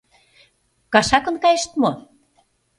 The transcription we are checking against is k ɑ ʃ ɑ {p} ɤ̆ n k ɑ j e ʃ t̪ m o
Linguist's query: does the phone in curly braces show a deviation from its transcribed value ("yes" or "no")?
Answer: yes